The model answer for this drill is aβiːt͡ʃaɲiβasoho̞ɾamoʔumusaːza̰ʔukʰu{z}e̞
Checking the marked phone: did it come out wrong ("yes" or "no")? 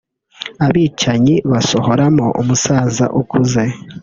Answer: no